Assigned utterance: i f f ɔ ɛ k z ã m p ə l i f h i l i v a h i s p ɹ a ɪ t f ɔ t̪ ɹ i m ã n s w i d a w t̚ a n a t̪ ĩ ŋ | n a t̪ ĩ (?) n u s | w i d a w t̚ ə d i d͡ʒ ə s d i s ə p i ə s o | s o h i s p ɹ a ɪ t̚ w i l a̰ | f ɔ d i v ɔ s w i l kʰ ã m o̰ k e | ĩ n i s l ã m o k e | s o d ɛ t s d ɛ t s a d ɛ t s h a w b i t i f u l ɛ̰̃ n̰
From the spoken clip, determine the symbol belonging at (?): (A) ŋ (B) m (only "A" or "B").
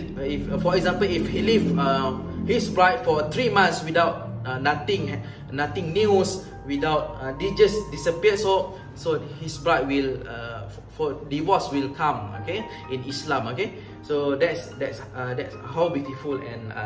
A